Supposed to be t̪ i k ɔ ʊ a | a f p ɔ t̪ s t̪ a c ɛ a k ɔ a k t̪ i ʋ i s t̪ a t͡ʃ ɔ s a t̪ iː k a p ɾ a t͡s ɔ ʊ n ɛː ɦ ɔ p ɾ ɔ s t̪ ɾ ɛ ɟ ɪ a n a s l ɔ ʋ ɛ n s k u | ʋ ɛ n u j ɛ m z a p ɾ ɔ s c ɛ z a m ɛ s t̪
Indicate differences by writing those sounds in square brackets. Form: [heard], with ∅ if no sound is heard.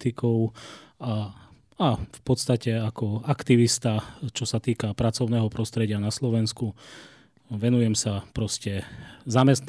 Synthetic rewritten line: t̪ i k ɔ ʊ a | a f p ɔ t̪ s t̪ a c ɛ a k ɔ a k t̪ i ʋ i s t̪ a t͡ʃ ɔ s a t̪ iː k a p ɾ a t͡s ɔ ʊ n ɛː ɦ ɔ p ɾ ɔ s t̪ ɾ ɛ ɟ ɪ a n a s l ɔ ʋ ɛ n s k u | ʋ ɛ n u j ɛ m [s] a p ɾ ɔ s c ɛ z a m ɛ s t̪